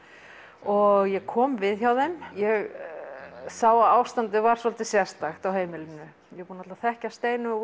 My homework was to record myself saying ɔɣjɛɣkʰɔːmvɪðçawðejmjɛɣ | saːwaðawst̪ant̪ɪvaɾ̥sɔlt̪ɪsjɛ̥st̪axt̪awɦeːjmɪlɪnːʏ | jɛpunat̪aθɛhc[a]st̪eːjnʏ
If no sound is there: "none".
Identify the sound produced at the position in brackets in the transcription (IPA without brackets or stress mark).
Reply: a